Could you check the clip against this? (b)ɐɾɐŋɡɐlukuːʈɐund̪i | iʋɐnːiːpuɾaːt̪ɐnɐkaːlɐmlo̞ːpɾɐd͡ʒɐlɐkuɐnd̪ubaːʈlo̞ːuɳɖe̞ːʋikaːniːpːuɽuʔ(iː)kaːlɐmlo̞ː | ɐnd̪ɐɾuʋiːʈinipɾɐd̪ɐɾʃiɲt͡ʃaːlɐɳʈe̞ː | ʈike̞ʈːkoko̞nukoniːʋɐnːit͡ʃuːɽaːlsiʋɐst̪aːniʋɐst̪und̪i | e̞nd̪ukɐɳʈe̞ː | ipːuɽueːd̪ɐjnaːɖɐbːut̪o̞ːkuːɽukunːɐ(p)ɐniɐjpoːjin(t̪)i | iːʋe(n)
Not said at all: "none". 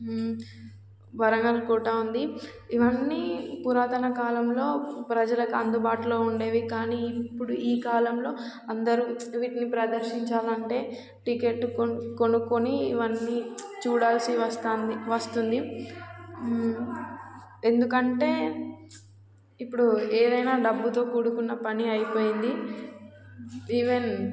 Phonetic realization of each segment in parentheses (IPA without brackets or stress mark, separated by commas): b, iː, p, d̪, n